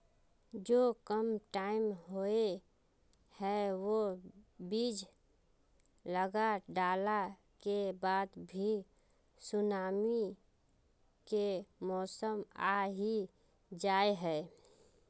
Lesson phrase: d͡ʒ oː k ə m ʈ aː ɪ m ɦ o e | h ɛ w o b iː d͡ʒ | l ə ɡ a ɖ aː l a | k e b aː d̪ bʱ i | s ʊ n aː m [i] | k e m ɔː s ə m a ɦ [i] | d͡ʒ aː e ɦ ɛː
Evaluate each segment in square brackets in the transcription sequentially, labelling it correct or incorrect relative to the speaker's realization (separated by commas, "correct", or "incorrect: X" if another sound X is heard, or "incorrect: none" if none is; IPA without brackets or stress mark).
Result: correct, correct